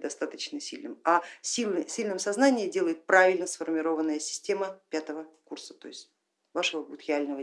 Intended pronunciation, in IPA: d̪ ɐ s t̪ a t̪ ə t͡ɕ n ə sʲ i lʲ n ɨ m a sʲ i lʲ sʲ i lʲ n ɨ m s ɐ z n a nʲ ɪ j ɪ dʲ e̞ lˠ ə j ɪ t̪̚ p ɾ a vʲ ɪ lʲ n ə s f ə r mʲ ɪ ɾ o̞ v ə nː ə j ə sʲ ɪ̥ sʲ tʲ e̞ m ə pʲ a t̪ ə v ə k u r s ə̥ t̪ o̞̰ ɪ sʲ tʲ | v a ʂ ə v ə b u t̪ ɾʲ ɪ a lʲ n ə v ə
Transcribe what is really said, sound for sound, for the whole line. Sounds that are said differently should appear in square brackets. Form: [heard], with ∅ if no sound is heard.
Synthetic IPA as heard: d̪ ɐ s t̪ a t̪ ə t͡ɕ n ə sʲ i lʲ n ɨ m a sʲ i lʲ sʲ i lʲ n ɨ m s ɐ z n a nʲ ɪ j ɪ dʲ e̞ lˠ ə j ɪ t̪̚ p ɾ a vʲ ɪ lʲ n ə s f ə r mʲ ɪ ɾ o̞ v ə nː ə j ə sʲ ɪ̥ sʲ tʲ e̞ m ə pʲ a t̪ ə v ə k u r s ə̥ t̪ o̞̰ ɪ sʲ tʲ | v a ʂ ə v ə b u t̪ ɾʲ ɪ a lʲ n ə v ə